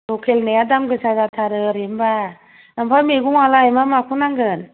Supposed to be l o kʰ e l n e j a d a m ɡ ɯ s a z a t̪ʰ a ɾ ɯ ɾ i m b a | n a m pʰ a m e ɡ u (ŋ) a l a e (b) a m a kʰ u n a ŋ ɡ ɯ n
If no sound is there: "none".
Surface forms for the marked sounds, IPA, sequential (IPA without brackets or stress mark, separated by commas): ŋ, m